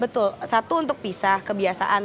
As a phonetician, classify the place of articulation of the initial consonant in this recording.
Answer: labial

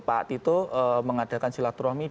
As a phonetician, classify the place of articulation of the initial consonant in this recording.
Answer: labial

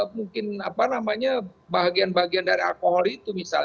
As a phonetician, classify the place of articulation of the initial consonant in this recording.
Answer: labial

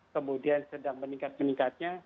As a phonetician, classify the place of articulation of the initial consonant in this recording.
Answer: velar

